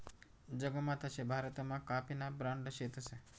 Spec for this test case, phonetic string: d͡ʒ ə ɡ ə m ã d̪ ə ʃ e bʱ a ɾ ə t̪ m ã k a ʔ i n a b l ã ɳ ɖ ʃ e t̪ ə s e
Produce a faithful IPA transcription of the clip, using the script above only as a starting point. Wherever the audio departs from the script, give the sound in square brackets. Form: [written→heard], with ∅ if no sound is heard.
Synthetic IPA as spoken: d͡ʒ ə ɡ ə m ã [d̪→t̪] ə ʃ e bʱ a ɾ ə t̪ m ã k a [ʔ→p] i n a b [l→ɾ] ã ɳ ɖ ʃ e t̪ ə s e